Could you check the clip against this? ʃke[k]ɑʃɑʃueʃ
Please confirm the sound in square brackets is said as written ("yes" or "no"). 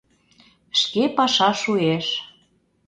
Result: no